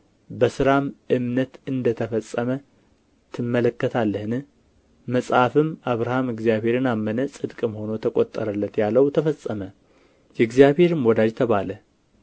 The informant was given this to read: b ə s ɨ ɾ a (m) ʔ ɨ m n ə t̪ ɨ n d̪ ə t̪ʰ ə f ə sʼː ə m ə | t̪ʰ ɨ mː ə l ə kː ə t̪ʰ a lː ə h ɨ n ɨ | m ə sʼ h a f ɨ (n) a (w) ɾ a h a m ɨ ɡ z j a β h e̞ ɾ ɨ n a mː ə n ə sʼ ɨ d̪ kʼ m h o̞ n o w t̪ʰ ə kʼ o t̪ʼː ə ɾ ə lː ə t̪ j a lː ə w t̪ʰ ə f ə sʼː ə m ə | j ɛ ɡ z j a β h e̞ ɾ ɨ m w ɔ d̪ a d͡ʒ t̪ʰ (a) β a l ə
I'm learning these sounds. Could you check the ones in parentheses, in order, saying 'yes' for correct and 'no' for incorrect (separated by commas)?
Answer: yes, no, no, no